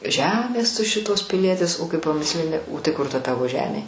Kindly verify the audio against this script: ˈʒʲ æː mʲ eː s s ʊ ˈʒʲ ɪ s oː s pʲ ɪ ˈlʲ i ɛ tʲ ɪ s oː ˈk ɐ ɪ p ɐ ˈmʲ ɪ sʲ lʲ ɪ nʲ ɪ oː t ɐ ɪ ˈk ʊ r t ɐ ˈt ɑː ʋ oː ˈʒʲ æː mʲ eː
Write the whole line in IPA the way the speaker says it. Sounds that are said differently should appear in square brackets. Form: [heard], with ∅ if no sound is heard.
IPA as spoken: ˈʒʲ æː mʲ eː s [t] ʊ [ˈʃʲ] ɪ [t] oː s pʲ ɪ ˈlʲ i ɛ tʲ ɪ s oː ˈk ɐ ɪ p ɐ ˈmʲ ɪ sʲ lʲ ɪ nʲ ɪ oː t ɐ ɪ ˈk ʊ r t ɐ ˈt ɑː ʋ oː ˈʒʲ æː mʲ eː